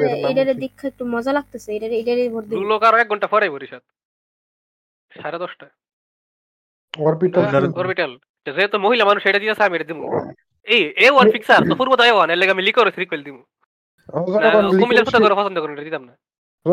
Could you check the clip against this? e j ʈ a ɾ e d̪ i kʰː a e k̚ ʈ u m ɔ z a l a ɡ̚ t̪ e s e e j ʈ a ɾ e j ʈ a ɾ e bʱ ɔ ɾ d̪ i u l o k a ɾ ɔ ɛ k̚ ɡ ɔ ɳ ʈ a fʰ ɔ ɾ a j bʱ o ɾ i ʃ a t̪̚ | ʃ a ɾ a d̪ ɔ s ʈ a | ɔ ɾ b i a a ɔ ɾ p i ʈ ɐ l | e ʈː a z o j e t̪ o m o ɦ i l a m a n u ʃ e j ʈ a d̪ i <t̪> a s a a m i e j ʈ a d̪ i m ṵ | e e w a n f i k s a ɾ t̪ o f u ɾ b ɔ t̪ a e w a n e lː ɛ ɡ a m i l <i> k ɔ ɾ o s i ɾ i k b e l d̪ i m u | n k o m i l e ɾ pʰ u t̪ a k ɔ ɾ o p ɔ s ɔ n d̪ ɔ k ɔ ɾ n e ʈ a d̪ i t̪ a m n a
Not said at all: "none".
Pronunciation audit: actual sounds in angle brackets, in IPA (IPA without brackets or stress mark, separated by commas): t̪, i